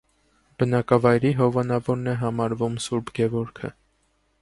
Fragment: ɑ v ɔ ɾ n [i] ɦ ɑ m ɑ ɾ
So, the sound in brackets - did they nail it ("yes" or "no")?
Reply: no